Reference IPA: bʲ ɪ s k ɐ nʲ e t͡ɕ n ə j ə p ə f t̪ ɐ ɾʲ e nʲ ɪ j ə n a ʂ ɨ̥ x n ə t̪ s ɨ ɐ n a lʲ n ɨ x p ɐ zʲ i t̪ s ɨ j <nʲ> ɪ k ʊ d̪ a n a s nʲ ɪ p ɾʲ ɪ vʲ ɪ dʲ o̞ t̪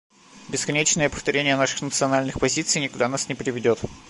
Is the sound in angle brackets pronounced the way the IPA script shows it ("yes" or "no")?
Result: yes